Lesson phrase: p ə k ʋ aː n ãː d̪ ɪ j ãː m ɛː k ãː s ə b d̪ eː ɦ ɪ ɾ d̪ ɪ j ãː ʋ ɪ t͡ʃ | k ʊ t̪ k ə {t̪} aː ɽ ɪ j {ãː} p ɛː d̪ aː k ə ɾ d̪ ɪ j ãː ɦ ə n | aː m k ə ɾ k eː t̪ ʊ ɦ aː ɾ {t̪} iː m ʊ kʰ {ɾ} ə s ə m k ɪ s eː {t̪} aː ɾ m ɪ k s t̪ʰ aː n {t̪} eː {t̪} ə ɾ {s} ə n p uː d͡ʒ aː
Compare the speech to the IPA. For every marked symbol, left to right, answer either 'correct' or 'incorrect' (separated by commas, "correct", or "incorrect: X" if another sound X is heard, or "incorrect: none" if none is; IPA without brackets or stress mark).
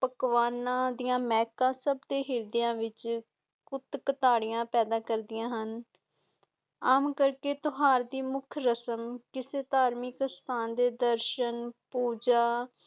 correct, correct, incorrect: d̪, correct, correct, incorrect: d̪, incorrect: d̪, incorrect: ʃ